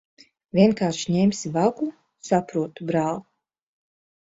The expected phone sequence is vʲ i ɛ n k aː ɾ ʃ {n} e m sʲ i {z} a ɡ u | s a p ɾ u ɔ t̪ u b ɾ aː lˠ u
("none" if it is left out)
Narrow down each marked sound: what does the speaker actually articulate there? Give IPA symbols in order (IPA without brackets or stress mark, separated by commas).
ɲ, v